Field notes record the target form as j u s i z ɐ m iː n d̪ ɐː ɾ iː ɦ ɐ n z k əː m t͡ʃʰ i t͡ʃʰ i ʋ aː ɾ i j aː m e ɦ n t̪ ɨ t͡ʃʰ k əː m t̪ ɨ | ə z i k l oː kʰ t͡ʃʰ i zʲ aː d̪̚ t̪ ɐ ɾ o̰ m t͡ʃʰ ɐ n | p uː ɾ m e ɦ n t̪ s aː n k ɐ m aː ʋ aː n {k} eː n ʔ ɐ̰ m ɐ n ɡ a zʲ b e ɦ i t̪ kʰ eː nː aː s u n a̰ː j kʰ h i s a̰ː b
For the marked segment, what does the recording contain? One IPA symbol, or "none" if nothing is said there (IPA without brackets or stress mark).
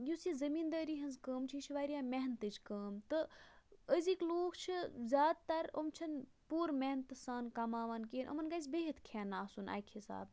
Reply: k